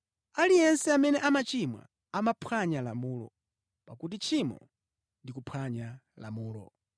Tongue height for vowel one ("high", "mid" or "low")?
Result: low